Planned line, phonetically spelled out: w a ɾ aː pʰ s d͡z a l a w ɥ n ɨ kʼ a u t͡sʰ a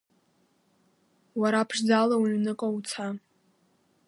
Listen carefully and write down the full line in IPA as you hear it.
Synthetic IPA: w a ɾ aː pʰ ʂ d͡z a l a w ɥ n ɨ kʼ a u t͡sʰ a